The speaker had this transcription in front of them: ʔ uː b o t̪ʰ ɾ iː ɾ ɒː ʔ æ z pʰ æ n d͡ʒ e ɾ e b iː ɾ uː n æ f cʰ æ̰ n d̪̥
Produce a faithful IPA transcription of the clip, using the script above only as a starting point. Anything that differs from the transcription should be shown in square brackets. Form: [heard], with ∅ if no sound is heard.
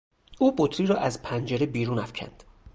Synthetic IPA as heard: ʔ uː b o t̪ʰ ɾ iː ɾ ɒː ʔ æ z pʰ æ n d͡ʒ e ɾ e b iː ɾ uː n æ f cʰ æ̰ n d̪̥